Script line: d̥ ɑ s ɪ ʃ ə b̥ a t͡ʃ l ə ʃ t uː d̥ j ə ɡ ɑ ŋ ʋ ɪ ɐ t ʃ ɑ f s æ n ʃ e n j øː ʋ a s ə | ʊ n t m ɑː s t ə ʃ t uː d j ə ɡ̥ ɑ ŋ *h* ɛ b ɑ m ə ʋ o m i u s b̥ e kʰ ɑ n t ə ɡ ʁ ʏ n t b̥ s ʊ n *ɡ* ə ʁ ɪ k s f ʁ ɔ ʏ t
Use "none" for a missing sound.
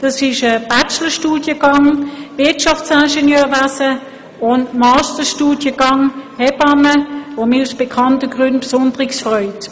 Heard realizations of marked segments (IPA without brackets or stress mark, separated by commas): h, d